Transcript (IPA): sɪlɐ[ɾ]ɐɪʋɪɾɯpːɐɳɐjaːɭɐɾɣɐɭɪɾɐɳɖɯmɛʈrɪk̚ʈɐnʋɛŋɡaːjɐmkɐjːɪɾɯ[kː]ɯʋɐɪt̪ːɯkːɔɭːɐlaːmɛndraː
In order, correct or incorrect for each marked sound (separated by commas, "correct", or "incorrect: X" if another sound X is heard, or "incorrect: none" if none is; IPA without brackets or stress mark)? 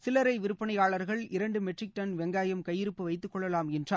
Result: correct, incorrect: pː